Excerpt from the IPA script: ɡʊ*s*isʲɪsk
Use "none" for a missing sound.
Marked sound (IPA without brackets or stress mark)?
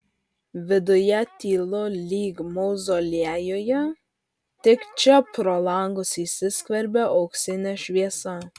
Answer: s